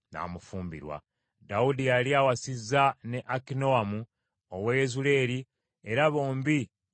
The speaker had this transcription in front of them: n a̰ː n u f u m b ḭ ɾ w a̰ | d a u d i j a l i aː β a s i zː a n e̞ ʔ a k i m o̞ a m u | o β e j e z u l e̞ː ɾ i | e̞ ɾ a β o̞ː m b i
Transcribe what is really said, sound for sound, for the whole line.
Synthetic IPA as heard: n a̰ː m u f uː m b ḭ ɾ w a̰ | d a u d i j a l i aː w a s i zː a n e̞ ʔ a k i n o̞ a m u | o w e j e z u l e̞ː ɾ i | e̞ ɾ a β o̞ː m b i

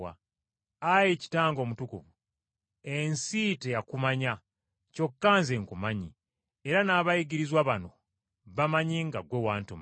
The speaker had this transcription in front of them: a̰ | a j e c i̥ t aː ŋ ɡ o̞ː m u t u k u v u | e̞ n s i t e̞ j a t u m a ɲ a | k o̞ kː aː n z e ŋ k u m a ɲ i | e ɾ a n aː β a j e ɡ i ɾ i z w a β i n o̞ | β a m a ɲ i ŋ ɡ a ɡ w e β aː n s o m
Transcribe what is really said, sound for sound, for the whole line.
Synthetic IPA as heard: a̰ | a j e c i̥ t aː ŋ ɡ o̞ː m u t u k u v u | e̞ n s i t e̞ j a k u m a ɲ a | c o̞ kː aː n z e ŋ k u m a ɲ i | e ɾ a n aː β a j i ɡ i ɾ i z w a β a n o̞ | β a m a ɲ i ŋ ɡ a ɡ w e w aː n t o m

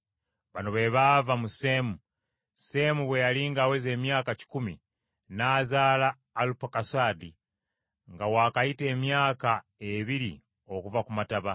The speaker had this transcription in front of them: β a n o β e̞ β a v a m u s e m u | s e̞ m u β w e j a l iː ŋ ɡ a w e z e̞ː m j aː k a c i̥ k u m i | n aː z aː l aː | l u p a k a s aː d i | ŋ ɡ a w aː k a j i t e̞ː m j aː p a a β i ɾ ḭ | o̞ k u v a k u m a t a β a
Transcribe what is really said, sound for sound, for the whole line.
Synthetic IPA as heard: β a n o β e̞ β a v a m u s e m u | s e̞ m u β w e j a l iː ŋ ɡ a w e z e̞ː m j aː k a c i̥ k u m i | n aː z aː l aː | l u p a k a s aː d i | ŋ ɡ a w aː k a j i t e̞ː m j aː k a e β i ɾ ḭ | o̞ k u v a k u m a t a β a

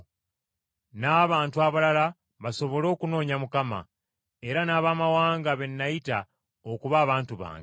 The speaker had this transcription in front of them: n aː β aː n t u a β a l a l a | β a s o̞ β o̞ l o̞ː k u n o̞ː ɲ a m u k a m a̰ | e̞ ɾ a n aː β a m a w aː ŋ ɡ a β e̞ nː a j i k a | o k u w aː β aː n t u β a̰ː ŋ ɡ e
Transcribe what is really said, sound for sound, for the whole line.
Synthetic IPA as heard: n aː β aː n t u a β a l a l a | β a s o̞ β o̞ l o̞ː k u n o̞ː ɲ a m u k a m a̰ | e̞ ɾ a n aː β a m a w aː ŋ ɡ a β e̞ nː a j i t a | o k u β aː β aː n t u β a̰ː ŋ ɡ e

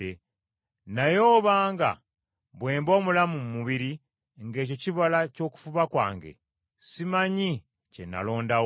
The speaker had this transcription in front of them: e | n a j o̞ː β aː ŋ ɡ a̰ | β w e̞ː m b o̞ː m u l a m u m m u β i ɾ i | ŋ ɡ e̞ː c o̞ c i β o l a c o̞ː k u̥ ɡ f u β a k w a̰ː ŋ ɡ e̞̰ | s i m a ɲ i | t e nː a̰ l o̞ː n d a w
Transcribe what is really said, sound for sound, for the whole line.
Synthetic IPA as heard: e | n a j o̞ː β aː ŋ ɡ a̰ | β w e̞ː m b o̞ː m u l a m u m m u β i ɾ i | ŋ ɡ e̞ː c o̞ c i β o l a c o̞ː k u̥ f u β a k w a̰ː ŋ ɡ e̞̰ | s i m a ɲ i | c e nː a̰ l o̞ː n d a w

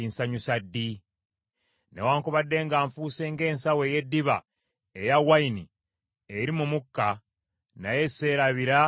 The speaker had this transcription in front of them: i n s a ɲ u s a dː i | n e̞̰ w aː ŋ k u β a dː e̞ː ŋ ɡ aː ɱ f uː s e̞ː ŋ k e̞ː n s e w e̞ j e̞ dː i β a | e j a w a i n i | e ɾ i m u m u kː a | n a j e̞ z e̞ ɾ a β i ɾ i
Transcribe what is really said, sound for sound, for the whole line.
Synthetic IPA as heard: i n s a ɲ u s a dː i | n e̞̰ w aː ŋ k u β a dː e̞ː ŋ ɡ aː ɱ f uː s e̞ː ŋ ɡ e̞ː n s a w e̞ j e̞ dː i β a | e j a w a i n i | e ɾ i m u m u kː a | n a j e̞ s e̞ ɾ a β i ɾ a

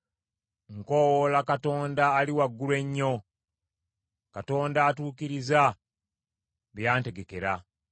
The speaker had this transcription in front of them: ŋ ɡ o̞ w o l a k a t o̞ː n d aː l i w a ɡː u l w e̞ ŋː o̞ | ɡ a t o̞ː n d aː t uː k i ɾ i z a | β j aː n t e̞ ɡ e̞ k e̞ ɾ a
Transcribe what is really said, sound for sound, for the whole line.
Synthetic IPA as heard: ŋ k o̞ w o l a k a t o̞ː n d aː l i w a ɡː u l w e̞ ɲː o̞ | k a t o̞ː n d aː t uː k i ɾ i z a | β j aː n t e̞ ɡ e̞ k e̞ ɾ a

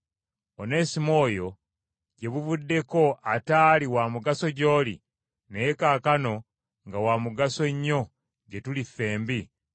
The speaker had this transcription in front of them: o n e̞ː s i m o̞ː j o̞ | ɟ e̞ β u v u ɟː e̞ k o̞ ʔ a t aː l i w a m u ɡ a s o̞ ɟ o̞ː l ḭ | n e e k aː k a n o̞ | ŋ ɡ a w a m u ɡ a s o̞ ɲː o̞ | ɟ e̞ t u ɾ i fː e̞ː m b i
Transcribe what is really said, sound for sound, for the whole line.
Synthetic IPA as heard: o n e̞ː s i m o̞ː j o̞ | ɟ e̞ β u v u dː e̞ k o̞ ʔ a t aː l i w a m u ɡ a s o̞ ɟ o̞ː l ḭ | n e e k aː k a n o̞ | ŋ ɡ a w a m u ɡ a s o̞ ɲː o̞ | ɟ e̞ t u l i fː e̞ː m b i

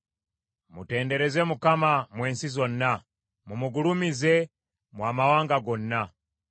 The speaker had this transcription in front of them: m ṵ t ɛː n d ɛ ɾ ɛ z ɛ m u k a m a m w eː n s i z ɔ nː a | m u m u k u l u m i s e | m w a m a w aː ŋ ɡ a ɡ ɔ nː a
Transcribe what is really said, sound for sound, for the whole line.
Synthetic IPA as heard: m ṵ t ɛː n d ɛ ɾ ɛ z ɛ m u k a m a m w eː n s i z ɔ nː a | m u m u ɡ u l u m i z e | m w a m a w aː ŋ ɡ a ɡ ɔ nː a

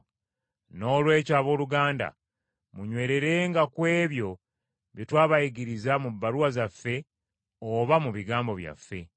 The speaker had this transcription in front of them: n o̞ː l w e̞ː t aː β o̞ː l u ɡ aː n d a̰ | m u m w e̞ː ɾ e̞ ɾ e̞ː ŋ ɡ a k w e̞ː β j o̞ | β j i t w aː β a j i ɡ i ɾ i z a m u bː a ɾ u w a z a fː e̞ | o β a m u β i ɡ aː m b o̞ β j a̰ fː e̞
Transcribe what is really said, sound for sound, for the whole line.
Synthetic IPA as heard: n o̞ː l w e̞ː c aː β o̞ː l u ɡ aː n d a̰ | m u ɲ w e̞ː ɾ e̞ ɾ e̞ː ŋ ɡ a k w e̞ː β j o̞ | β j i t w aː β a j i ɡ i ɾ i z a m u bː a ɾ u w a z a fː e̞ | o β a m u β i ɡ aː m b o̞ β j a̰ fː e̞

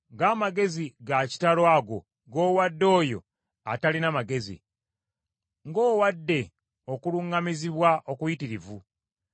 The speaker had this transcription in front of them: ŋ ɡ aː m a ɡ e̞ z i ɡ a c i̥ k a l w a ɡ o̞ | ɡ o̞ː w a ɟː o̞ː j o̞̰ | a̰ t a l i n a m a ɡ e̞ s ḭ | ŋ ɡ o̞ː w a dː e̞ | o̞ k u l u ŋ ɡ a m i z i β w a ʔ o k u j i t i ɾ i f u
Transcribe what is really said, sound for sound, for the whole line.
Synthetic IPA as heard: ŋ ɡ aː m a ɡ e̞ z i ɡ a c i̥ t a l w a ɡ o̞ | ɡ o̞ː w a dː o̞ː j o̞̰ | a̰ t a l i n a m a ɡ e̞ z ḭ | ŋ ɡ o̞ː w a dː e̞ | o̞ k u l u ŋ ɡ a m i z i β w a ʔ o k u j i t i ɾ i v u

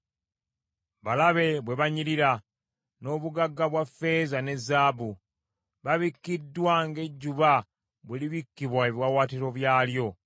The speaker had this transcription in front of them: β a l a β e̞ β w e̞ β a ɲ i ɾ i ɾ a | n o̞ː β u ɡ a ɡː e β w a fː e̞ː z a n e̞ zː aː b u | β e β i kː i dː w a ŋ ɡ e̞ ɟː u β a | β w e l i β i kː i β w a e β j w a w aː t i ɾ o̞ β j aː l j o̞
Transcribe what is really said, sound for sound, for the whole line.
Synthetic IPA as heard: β a l a β e̞ β w e̞ β a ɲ i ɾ i ɾ a | n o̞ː β u ɡ a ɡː a β w a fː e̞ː z a n e̞ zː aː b u | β a β i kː i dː w a ŋ ɡ e̞ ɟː u β a | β w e l i β i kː i β w a e β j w a w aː t i ɾ o̞ β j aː l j o̞

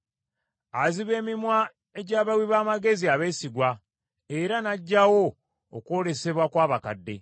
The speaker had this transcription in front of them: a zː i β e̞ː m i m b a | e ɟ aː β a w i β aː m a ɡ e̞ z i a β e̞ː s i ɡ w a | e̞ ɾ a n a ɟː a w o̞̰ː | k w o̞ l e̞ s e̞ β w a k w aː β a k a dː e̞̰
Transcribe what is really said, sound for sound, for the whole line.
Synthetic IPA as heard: a z i β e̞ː m i m w a | e ɟ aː β a w i β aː m a ɡ e̞ z i a β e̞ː s i ɡ w a | e̞ ɾ a n a ɟː a w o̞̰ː | k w o̞ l e̞ s e̞ β w a k w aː β a k a dː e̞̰

